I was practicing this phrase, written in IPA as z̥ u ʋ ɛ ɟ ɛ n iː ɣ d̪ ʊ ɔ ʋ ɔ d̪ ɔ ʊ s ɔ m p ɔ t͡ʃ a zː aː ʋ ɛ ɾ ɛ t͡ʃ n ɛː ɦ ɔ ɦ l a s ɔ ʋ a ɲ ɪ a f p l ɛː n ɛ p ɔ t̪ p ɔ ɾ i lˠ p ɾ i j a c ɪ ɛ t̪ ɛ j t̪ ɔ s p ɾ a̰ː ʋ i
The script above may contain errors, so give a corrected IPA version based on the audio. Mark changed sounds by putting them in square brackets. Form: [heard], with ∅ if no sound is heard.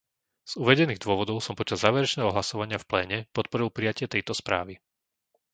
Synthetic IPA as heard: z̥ u ʋ ɛ ɟ ɛ n iː ɣ d̪ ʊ ɔ ʋ ɔ d̪ ɔ ʊ s ɔ m p ɔ t͡ʃ a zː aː ʋ ɛ ɾ ɛ t͡ʃ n ɛː ɦ ɔ ɦ l a s ɔ ʋ a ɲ ɪ a f p l ɛː [ɲ] ɛ p ɔ t̪ p ɔ ɾ i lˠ p ɾ i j a c ɪ ɛ t̪ ɛ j t̪ ɔ s p ɾ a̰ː ʋ i